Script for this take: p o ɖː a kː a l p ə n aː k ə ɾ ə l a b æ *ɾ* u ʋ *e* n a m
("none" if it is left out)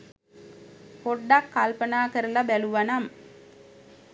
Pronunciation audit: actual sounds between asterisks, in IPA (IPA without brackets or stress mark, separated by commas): l, a